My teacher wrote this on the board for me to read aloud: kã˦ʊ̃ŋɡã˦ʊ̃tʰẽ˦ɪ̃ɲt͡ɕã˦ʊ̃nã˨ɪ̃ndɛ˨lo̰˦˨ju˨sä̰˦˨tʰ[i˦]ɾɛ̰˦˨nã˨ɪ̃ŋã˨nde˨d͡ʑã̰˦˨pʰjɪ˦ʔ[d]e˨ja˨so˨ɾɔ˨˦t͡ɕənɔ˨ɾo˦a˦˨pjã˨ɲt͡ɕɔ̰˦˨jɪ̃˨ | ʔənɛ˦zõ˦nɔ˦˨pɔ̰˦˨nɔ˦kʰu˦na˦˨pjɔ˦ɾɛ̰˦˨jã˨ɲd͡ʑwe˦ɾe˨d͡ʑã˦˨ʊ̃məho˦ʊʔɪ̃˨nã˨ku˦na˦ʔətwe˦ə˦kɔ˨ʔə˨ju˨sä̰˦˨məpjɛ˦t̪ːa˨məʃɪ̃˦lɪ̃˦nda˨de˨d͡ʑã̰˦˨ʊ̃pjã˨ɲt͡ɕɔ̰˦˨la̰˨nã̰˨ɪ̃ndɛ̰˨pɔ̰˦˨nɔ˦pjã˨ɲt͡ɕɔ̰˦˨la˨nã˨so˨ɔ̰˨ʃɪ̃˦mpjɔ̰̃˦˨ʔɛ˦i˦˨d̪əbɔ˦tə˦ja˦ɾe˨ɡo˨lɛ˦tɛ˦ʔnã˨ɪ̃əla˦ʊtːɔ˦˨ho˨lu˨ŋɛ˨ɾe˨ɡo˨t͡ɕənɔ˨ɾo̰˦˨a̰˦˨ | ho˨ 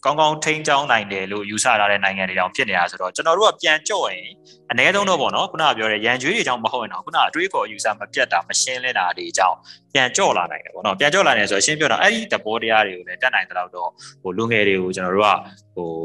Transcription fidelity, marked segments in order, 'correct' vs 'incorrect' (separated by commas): incorrect, incorrect